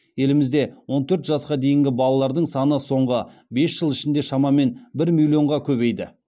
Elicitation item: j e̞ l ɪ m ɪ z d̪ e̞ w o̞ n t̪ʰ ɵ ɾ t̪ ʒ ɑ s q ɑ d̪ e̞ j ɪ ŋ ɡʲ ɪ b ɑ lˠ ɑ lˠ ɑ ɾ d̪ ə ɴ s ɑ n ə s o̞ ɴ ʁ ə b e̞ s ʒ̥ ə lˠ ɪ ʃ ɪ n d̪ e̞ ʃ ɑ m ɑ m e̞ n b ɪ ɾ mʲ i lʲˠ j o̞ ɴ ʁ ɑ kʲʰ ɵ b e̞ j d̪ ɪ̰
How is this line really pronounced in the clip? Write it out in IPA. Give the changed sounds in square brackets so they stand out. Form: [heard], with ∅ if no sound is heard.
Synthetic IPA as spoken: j e̞ l ɪ m ɪ z d̪ e̞ w o̞ n t̪ʰ ɵ ɾ t̪ ʒ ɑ s q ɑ d̪ e̞ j ɪ ŋ ɡʲ ɪ b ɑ lˠ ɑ lˠ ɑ ɾ d̪ ə ɴ s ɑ n ə s o̞ ɴ ʁ ə b e̞ s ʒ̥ ə lˠ ɪ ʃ ɪ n d̪ e̞ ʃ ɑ m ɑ m e̞ n b ɪ ɾ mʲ i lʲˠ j o̞ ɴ ʁ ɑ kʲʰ ɵ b e̞ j d̪ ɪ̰